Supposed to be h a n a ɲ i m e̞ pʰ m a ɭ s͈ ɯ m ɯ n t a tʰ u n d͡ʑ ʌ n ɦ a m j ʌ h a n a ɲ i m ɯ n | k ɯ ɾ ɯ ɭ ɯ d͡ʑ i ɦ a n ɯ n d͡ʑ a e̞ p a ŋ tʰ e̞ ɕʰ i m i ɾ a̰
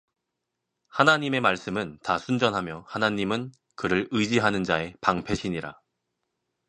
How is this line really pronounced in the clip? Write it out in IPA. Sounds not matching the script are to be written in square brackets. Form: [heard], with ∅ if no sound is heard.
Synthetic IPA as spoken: h a n a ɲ i m e̞ [∅] m a ɭ s͈ ɯ m ɯ n t a [sʰ] u n d͡ʑ ʌ n ɦ a m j ʌ h a n a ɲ i m ɯ n | k ɯ ɾ ɯ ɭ ɯ d͡ʑ i ɦ a n ɯ n d͡ʑ a e̞ p a ŋ [pʰ] e̞ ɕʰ i [ɲ] i ɾ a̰